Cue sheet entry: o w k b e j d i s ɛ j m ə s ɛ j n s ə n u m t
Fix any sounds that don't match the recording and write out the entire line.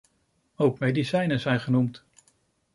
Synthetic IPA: o w k m e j d i s ɛ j n ə z ɛ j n χ ə n u m t